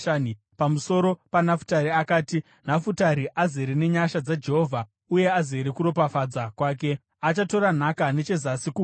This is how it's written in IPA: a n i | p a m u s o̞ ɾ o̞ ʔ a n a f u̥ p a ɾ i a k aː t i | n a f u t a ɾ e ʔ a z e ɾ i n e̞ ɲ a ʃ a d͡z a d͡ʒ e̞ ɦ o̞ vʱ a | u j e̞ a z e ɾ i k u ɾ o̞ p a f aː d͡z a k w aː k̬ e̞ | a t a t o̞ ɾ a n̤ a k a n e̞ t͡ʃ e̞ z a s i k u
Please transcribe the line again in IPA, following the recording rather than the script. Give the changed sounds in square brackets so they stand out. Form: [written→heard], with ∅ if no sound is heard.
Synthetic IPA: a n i | p a m u s o̞ ɾ o̞ [ʔ→p] a n a f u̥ [p→t] a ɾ i a k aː t i | n a f u t a ɾ [e→i] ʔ a z e ɾ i n e̞ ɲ a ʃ a d͡z a d͡ʒ e̞ ɦ o̞ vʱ a | u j e̞ a z e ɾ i k u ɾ o̞ p a f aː d͡z a k w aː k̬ e̞ | a [t→t͡ʃ] a t o̞ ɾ a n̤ a k a n e̞ t͡ʃ e̞ z a s i k u